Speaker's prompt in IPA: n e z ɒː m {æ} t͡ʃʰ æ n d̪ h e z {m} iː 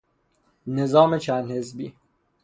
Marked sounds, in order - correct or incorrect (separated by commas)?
incorrect, incorrect